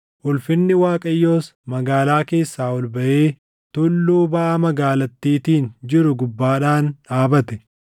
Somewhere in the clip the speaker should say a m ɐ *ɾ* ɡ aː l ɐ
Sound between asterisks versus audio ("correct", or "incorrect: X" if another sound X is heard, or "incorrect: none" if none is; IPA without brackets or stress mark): incorrect: none